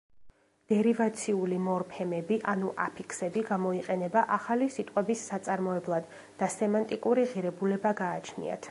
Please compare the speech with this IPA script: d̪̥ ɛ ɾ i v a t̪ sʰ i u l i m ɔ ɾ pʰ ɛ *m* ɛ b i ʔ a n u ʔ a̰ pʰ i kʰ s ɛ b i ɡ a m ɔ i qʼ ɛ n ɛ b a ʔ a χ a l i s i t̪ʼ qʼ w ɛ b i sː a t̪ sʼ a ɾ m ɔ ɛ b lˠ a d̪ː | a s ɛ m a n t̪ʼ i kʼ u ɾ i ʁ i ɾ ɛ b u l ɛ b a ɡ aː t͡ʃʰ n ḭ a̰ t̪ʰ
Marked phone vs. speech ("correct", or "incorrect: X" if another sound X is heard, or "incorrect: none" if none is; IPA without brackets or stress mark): correct